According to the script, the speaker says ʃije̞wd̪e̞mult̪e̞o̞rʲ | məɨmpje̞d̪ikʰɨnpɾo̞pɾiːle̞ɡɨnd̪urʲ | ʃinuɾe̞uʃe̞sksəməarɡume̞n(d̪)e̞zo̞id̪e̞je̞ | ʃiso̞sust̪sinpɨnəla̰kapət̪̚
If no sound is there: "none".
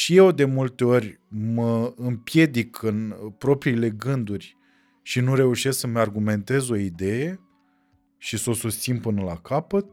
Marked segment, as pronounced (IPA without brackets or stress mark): t̪